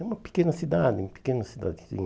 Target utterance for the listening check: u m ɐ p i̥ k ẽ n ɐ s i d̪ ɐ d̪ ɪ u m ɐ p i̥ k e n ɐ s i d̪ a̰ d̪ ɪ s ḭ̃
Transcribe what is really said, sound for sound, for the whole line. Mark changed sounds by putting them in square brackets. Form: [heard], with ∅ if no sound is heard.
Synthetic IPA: u m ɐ p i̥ k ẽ n ɐ s i d̪ [a] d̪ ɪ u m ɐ p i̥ k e n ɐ s i d̪ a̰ d̪ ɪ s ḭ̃

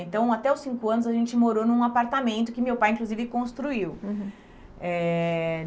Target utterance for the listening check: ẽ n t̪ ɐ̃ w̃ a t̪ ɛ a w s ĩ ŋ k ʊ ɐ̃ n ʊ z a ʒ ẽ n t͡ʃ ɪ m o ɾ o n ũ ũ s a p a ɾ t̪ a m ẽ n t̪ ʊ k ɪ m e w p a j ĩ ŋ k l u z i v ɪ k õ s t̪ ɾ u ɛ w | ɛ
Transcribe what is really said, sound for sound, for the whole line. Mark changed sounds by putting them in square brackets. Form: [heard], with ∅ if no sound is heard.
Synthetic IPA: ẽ n t̪ ɐ̃ w̃ a t̪ ɛ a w s ĩ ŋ k ʊ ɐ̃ n ʊ z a ʒ ẽ n t͡ʃ ɪ m o ɾ o n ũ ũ [∅] a p a ɾ t̪ a m ẽ n t̪ ʊ k ɪ m e w p a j ĩ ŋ k l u z i v ɪ k õ s t̪ ɾ u [i] w | ɛ

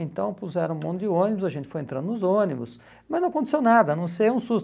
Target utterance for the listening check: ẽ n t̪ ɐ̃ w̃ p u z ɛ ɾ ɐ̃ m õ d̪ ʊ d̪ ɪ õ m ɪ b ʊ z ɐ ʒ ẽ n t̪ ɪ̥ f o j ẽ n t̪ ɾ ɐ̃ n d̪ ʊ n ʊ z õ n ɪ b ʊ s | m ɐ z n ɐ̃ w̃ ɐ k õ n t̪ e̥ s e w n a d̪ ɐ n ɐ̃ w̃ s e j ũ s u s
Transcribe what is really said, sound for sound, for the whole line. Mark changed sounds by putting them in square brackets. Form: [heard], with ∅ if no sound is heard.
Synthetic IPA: ẽ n t̪ ɐ̃ w̃ p u z ɛ ɾ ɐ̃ m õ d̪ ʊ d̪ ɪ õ [n] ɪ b ʊ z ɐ ʒ ẽ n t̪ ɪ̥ f o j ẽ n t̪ ɾ ɐ̃ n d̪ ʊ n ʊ z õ n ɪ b ʊ s | m ɐ z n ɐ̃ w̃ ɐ k õ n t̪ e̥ s e w n a d̪ ɐ n ɐ̃ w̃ s e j ũ s u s

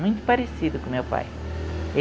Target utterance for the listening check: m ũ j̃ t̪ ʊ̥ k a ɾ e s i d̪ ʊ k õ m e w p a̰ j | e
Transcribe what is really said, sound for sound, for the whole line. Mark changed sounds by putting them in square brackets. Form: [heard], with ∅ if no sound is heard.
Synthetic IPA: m ũ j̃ t̪ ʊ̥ [p] a ɾ e s i d̪ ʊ k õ m e w p a̰ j | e

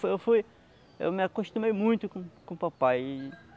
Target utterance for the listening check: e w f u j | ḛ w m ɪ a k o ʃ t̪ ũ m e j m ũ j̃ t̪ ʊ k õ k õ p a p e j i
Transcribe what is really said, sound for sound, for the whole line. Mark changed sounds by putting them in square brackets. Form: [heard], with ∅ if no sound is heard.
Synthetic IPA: e w f u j | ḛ w m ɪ a k o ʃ t̪ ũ m e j m ũ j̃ t̪ ʊ k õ k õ p a p [a] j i

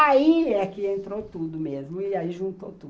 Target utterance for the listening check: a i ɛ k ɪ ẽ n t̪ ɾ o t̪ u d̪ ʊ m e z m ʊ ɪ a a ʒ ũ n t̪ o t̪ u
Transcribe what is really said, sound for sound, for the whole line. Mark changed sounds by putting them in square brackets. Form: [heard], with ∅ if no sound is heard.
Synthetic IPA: a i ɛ k ɪ ẽ n t̪ ɾ o t̪ u d̪ ʊ m e z m ʊ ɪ a [i] ʒ ũ n t̪ o t̪ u

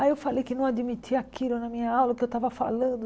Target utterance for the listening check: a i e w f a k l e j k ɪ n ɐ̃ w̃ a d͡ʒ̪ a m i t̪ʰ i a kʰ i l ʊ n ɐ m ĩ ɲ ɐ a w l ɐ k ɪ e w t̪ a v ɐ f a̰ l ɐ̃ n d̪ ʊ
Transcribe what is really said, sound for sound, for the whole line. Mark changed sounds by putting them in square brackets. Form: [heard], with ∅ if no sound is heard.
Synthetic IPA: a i e w f a [∅] l e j k ɪ n ɐ̃ w̃ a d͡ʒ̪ [i] m i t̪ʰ i a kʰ i l ʊ n ɐ m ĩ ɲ ɐ a w l ɐ k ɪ e w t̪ a v ɐ f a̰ l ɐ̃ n d̪ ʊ

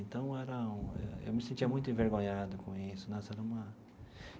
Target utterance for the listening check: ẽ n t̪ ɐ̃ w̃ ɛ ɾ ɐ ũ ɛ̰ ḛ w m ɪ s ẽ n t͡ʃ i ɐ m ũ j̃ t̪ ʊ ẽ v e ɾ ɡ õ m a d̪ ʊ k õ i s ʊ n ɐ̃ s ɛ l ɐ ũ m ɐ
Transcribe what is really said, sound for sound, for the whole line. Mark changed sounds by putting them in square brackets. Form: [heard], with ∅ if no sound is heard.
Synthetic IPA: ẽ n t̪ ɐ̃ w̃ ɛ ɾ ɐ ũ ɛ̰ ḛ w m ɪ s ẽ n t͡ʃ i ɐ m ũ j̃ t̪ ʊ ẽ v e ɾ ɡ õ [ɲ] a d̪ ʊ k õ i s ʊ n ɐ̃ s ɛ [ɾ] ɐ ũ m ɐ

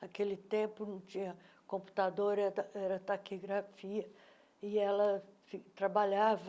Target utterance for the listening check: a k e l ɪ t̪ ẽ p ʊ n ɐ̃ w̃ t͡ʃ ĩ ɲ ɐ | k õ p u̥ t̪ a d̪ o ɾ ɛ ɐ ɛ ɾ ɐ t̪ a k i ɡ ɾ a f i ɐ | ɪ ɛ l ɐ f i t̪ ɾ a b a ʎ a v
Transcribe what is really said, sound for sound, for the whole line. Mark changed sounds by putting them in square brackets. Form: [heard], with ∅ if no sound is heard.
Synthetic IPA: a k e l ɪ t̪ ẽ p ʊ n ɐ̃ w̃ t͡ʃ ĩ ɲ ɐ | k õ p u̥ t̪ a d̪ o ɾ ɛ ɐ ɛ ɾ ɐ t̪ a k i ɡ ɾ a f i ɐ | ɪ ɛ l ɐ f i t̪ ɾ a b a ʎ a v

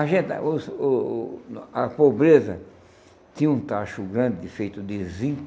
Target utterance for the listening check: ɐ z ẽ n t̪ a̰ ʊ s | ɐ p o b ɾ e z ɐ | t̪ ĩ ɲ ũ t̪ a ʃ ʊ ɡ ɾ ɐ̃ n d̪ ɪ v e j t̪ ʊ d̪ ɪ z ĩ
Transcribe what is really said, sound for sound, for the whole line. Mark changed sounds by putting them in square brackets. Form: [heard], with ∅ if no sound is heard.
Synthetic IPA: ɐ [ʒ] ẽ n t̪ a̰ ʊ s | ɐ p o b ɾ e z ɐ | t̪ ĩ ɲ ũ t̪ a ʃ ʊ ɡ ɾ ɐ̃ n d̪ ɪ [f] e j t̪ ʊ d̪ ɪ z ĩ

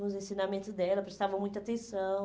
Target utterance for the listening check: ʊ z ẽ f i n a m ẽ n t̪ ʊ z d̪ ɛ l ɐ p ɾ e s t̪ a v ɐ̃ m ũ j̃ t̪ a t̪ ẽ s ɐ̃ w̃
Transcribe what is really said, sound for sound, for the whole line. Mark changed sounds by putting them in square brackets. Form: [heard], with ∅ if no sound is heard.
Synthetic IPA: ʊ z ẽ [s] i n a m ẽ n t̪ ʊ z d̪ ɛ l ɐ p ɾ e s t̪ a v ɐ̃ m ũ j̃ t̪ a t̪ ẽ s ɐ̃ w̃

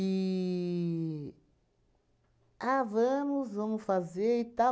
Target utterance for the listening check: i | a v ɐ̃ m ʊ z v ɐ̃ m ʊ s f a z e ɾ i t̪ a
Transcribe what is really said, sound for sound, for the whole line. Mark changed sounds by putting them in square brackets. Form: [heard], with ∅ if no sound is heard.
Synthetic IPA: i | a v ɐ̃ m ʊ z v ɐ̃ m ʊ s f a z e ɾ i t̪ a

